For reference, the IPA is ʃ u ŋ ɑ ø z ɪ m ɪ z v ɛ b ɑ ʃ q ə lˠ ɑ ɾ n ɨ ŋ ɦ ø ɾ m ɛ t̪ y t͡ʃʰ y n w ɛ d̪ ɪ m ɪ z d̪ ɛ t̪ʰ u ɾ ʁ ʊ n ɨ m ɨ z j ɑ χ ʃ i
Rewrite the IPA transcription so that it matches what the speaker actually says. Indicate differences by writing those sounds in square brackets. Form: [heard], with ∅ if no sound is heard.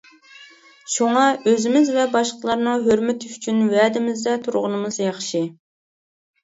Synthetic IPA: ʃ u ŋ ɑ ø z ɪ m ɪ z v ɛ b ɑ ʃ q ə lˠ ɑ ɾ n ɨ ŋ ɦ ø ɾ m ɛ t̪ y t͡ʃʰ y n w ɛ d̪ ɪ m ɪ z d̪ ɛ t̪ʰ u ɾ ʁ ʊ n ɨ m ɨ z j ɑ χ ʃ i